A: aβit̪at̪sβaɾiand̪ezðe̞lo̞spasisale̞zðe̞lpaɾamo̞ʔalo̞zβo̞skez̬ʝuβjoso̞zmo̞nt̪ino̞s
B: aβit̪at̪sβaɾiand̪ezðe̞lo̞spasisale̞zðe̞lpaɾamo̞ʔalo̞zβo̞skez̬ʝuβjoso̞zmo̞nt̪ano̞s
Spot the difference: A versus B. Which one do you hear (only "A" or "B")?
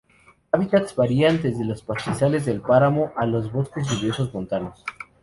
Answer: B